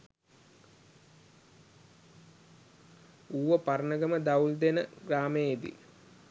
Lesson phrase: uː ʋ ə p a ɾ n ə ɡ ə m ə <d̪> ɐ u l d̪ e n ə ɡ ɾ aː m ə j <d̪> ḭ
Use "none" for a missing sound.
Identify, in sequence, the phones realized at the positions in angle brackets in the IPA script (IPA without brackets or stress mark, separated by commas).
d̪, d̪